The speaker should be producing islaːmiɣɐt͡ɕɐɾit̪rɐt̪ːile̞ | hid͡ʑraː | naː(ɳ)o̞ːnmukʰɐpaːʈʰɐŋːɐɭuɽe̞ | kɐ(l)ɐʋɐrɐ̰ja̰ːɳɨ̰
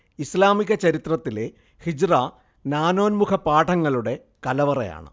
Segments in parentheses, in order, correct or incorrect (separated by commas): incorrect, correct